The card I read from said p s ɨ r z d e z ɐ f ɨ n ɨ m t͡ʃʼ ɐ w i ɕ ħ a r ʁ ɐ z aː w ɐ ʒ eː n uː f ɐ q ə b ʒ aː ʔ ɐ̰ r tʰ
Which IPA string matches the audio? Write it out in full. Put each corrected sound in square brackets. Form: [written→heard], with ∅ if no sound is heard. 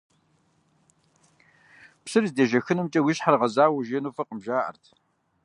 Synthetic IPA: p s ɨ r z d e [z→ʒ] ɐ [f→x] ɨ n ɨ m t͡ʃʼ ɐ w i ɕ ħ a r ʁ ɐ z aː w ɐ ʒ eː n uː f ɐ q ə [b→m] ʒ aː ʔ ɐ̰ r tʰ